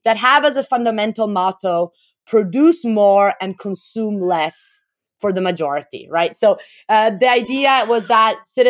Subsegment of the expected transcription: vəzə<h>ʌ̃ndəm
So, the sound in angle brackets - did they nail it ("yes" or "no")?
no